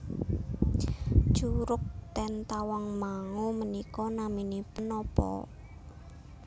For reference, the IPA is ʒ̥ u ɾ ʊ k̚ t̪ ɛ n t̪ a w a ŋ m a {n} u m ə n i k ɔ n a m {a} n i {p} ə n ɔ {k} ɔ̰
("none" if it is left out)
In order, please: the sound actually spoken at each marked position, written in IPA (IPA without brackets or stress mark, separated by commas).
ŋ, i, p, p